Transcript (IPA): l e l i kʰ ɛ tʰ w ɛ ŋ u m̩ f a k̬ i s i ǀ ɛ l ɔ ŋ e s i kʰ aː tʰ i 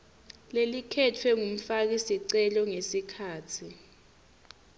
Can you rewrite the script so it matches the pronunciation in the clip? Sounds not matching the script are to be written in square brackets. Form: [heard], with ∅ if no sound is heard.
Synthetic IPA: l e l i kʰ ɛ tʰ w ɛ ŋ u m̩ f a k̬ i s i ǀ ɛ l ɔ ŋ e s i kʰ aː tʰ i